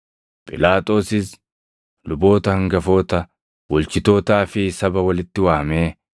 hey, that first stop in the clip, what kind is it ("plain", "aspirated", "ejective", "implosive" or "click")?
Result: ejective